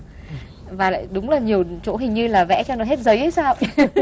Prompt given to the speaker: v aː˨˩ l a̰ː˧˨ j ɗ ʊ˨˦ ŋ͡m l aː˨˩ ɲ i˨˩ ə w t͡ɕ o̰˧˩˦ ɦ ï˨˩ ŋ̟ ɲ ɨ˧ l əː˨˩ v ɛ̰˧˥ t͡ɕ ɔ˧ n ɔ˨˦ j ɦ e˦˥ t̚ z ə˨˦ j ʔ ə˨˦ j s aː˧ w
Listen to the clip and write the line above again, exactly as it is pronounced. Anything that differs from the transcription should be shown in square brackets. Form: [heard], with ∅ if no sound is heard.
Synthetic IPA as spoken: v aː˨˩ l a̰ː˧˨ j ɗ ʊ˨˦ ŋ͡m l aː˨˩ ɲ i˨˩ ə w t͡ɕ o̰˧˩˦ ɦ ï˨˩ ŋ̟ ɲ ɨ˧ l [aː˨˩] v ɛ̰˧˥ t͡ɕ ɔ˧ n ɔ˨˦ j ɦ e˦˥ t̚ z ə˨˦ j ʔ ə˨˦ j s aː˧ w